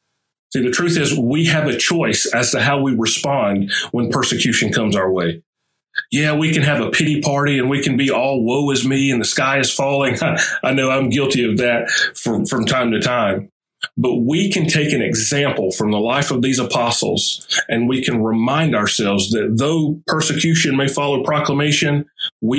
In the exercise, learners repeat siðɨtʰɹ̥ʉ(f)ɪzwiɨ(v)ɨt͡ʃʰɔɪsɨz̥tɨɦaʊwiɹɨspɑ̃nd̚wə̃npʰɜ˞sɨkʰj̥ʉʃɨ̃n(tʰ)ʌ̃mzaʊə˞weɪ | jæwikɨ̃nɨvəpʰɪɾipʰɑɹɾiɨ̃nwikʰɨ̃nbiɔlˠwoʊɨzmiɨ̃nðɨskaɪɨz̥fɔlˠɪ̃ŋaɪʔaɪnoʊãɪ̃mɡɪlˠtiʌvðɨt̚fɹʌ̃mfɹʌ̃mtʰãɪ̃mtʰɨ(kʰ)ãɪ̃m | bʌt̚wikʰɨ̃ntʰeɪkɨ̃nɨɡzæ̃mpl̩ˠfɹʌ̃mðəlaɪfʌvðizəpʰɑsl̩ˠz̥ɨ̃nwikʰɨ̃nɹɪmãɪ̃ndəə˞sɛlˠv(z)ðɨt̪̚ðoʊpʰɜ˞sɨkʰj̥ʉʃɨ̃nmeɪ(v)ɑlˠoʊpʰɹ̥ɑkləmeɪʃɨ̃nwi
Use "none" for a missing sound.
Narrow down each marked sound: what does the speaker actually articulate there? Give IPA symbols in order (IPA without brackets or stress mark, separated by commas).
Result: θ, v, kʰ, tʰ, z, f